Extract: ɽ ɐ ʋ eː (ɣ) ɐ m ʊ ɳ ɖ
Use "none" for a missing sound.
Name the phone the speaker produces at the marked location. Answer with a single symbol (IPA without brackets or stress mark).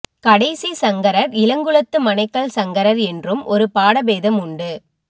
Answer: ð